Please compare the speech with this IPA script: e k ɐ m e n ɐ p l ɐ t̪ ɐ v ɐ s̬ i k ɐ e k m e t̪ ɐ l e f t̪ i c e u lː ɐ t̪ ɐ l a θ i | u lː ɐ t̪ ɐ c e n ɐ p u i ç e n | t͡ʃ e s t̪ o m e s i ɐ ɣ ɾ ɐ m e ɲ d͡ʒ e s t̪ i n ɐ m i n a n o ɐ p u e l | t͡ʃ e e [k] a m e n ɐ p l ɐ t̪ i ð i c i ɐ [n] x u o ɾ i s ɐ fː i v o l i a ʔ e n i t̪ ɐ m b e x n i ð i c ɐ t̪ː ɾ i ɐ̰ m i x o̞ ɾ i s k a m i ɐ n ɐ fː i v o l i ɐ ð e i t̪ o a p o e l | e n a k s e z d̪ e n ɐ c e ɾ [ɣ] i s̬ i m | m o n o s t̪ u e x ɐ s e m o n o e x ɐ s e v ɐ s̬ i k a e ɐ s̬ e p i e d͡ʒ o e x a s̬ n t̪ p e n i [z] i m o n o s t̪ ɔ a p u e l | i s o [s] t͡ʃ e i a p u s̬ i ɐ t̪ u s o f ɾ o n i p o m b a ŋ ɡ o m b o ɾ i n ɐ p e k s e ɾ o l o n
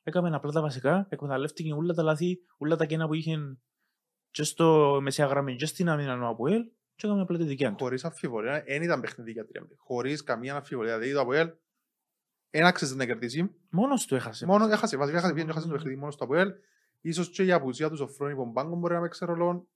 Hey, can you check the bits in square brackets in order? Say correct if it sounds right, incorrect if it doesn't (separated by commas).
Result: correct, correct, incorrect, incorrect, correct